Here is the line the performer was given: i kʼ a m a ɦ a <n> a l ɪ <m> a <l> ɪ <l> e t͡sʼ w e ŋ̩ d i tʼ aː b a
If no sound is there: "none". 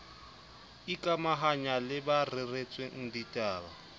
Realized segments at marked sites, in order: ɲ, b, r, r

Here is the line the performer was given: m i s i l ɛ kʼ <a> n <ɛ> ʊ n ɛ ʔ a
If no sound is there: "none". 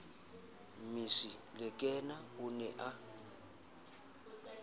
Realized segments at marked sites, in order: ɛ, a

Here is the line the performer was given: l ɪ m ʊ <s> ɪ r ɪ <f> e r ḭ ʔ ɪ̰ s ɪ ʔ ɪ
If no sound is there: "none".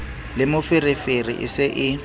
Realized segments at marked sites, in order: f, f

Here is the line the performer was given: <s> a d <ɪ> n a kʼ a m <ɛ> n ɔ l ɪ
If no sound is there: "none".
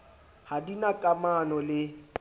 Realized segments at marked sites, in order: h, i, a

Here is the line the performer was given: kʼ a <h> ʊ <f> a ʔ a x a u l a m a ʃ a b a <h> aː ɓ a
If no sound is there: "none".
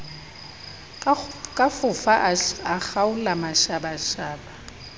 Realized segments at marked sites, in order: f, f, ʃ

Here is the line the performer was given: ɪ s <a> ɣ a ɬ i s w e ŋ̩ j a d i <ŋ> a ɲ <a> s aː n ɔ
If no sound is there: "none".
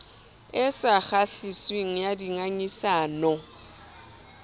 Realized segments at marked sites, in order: a, ŋ, i

